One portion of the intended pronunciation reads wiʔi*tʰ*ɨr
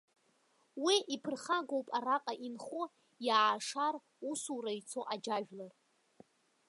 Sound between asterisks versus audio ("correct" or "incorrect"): incorrect